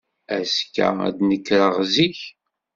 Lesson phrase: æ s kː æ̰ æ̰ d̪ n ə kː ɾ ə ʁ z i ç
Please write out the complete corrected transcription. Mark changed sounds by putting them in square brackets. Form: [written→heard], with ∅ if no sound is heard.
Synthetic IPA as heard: æ s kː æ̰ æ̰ d̪ n ə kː ɾ ə ʁ z i ç